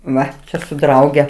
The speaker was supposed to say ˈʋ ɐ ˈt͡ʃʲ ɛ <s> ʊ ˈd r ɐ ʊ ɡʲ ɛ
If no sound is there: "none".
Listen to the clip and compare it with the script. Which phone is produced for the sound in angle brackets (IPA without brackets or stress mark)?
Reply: s